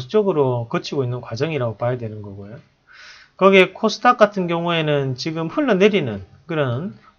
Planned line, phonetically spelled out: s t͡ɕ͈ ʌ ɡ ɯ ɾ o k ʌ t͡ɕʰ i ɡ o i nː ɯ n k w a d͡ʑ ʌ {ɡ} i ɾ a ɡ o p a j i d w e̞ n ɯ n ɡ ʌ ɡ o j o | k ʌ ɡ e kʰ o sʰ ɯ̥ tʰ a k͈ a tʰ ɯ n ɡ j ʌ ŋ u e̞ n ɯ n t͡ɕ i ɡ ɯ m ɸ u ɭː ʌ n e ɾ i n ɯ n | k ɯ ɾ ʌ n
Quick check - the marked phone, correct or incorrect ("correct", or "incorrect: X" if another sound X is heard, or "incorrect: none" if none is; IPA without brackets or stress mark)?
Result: incorrect: ŋ